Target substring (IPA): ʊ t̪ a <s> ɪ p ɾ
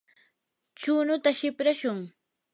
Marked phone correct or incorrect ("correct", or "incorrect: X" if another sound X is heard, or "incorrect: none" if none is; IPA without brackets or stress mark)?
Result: incorrect: ʃ